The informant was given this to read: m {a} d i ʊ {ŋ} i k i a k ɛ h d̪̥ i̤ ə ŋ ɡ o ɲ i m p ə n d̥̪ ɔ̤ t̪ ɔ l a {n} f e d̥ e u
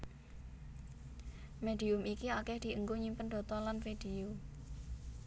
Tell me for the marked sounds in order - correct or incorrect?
incorrect, incorrect, correct

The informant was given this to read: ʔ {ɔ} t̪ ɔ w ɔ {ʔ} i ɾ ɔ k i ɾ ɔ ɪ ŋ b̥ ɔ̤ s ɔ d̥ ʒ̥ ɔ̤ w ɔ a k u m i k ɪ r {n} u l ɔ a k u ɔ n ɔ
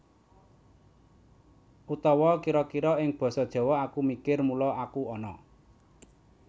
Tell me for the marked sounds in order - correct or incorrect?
incorrect, incorrect, incorrect

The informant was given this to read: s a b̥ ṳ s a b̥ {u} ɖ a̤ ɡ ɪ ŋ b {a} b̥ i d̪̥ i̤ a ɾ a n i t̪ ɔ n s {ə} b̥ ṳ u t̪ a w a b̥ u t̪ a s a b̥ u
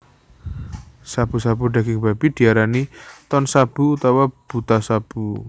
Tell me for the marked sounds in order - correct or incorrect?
correct, correct, incorrect

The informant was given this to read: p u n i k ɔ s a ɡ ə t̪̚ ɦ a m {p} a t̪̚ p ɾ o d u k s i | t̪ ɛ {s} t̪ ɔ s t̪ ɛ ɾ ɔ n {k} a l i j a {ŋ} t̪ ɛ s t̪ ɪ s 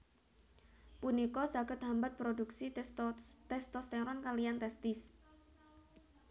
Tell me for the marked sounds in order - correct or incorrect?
incorrect, correct, correct, incorrect

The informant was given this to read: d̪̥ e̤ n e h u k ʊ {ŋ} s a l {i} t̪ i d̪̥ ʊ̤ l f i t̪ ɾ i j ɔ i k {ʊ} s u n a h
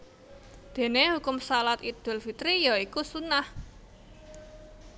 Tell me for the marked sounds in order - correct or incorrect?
incorrect, incorrect, incorrect

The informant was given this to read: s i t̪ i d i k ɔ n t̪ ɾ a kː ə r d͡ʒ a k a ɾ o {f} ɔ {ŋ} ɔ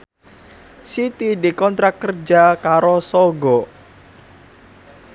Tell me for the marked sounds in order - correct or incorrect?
incorrect, incorrect

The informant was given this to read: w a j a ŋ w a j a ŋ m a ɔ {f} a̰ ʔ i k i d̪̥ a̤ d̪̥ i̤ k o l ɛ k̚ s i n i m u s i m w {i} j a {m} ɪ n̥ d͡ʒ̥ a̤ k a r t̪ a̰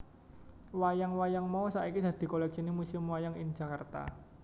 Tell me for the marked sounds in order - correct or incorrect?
incorrect, incorrect, incorrect

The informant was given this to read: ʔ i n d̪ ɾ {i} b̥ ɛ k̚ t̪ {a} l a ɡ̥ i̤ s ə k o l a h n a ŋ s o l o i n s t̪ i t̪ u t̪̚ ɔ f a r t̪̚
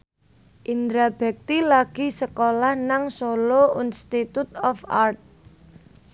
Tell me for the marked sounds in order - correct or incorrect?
incorrect, incorrect

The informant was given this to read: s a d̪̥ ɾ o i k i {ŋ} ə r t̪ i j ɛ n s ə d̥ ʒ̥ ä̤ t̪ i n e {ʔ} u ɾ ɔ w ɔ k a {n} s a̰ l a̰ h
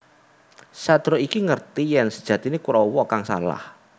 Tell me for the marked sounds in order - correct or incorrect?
correct, incorrect, incorrect

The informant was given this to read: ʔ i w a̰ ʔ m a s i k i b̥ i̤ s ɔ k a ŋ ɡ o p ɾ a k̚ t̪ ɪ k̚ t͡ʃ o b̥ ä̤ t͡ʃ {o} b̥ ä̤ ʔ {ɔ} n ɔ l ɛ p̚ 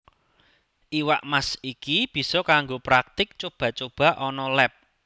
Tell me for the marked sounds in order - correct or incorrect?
correct, correct

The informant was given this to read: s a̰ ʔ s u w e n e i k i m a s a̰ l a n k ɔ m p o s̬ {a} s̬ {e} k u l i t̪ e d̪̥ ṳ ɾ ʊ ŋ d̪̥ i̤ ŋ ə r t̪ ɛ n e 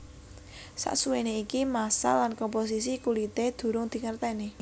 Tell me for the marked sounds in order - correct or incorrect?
incorrect, incorrect

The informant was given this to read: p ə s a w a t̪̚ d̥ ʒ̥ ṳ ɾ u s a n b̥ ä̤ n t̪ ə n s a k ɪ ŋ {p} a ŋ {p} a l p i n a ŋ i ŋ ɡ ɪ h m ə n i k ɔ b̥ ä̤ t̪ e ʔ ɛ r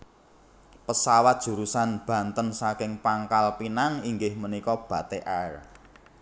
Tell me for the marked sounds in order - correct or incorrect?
correct, incorrect

